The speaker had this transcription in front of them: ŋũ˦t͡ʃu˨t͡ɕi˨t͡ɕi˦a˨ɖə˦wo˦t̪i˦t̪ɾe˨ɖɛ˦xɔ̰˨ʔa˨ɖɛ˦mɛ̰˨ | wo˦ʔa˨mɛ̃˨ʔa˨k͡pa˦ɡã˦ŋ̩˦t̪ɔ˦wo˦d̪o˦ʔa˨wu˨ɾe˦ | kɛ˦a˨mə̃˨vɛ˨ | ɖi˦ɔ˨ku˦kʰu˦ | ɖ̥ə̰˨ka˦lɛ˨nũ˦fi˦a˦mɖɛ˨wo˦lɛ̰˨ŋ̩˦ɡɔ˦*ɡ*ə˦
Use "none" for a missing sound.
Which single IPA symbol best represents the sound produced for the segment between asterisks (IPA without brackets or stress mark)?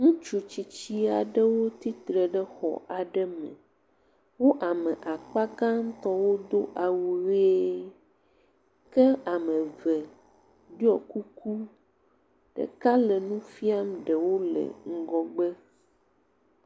ɡ͡b